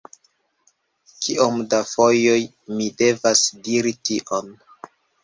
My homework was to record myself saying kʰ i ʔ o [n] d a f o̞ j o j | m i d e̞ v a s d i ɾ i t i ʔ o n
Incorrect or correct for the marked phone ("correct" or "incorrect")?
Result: incorrect